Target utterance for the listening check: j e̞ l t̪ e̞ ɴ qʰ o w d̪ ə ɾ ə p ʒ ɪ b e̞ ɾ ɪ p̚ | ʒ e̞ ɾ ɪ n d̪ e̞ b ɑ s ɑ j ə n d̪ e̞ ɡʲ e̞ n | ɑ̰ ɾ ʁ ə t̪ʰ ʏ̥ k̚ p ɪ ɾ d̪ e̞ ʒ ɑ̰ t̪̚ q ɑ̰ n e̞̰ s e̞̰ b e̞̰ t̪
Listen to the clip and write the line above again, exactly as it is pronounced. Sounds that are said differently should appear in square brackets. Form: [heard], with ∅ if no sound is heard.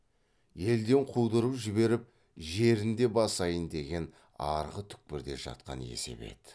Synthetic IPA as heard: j e̞ l [d̪] e̞ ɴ qʰ [u] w d̪ ə ɾ ə p ʒ ɪ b e̞ ɾ ɪ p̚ | ʒ e̞ ɾ ɪ n d̪ e̞ b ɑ s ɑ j ə n d̪ e̞ ɡʲ e̞ n | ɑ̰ ɾ ʁ ə t̪ʰ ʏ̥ k̚ p ɪ ɾ d̪ e̞ ʒ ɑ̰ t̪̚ q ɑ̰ n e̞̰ s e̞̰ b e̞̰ t̪